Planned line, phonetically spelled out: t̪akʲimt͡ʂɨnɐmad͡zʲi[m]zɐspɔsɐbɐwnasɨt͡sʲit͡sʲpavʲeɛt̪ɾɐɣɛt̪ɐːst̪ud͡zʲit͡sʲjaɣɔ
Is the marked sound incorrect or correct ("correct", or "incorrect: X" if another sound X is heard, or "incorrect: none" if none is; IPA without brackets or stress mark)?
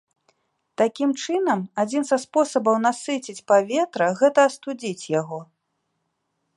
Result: incorrect: n